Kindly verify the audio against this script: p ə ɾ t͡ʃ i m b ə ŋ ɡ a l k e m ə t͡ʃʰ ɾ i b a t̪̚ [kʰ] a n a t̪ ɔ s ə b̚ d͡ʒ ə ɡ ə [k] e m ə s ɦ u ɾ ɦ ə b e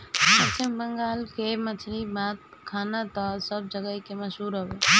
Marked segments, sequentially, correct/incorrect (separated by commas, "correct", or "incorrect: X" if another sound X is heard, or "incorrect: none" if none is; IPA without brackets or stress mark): correct, correct